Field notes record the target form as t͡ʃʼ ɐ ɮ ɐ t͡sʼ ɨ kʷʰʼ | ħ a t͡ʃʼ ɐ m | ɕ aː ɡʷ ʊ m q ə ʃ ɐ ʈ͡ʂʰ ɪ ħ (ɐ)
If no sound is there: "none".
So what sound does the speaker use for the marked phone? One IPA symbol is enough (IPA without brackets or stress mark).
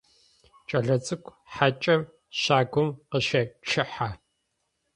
a